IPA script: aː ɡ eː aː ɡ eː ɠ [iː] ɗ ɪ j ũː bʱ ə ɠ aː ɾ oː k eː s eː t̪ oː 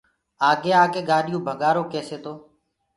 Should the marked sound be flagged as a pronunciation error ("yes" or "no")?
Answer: yes